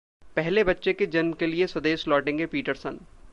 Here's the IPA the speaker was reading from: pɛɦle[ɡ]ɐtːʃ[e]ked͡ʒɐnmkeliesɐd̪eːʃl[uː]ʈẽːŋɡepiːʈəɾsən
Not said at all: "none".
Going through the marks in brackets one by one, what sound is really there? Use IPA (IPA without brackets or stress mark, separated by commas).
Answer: b, e, ɔː